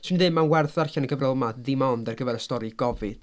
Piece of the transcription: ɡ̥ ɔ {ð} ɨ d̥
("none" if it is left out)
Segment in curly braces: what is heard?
v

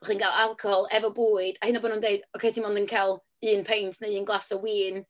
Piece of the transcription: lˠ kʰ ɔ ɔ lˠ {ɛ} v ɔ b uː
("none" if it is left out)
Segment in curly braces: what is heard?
ɛ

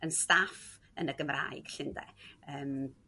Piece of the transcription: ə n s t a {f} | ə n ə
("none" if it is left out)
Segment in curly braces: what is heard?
f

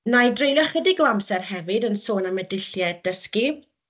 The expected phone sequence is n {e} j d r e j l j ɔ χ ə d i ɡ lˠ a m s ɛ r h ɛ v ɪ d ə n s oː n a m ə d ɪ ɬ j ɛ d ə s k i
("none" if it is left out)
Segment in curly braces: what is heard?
a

